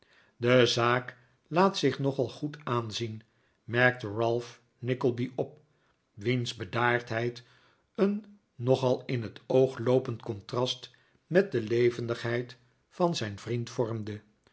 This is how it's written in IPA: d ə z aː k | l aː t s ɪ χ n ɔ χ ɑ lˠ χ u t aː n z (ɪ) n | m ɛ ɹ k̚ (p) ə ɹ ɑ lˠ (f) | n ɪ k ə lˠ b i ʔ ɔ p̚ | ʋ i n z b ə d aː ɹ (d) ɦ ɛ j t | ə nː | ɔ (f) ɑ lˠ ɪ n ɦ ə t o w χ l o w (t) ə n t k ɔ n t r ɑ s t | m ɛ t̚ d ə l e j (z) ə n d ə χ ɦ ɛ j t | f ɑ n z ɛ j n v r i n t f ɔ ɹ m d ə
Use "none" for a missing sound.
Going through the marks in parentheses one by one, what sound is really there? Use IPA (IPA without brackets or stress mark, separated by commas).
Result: i, t, f, t, χ, p, v